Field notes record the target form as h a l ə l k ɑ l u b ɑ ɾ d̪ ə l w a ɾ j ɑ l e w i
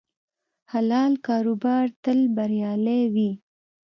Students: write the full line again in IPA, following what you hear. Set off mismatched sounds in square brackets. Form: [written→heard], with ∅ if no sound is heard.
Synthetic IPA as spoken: h a l [ə→ɑ] l k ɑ [l→ɾ] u b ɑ ɾ [d̪→t̪] ə l [w→b] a ɾ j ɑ l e w i